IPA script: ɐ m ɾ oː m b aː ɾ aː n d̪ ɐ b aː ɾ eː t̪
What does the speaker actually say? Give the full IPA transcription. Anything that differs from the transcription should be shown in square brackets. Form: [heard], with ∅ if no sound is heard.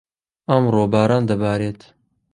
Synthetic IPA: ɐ m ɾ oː [∅] b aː ɾ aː n d̪ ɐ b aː ɾ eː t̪